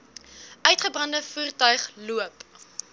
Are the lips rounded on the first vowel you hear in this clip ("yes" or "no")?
yes